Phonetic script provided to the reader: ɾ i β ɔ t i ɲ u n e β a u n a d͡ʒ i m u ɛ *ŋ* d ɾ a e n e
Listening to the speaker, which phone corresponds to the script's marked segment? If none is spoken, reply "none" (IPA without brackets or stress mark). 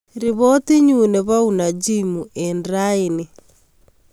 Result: n